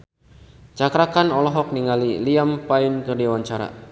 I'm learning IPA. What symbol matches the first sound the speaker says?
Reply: t͡ʃ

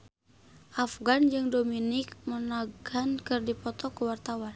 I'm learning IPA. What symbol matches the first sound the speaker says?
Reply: ʔ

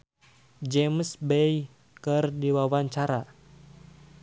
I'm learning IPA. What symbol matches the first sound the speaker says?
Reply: d͡ʒ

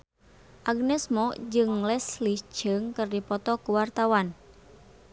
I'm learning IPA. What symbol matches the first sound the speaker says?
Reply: ʔ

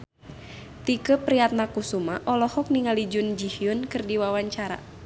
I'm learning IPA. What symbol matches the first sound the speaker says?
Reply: t̪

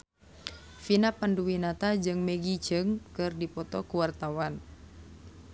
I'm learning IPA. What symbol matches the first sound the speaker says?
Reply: f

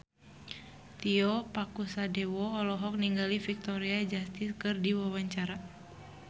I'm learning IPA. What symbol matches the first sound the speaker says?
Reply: t̪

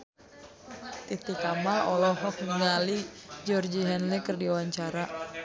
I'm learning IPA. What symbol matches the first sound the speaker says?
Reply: t̪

